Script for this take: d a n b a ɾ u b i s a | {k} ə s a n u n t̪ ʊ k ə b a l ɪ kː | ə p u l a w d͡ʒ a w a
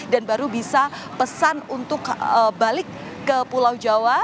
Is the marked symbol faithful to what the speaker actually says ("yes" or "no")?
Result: no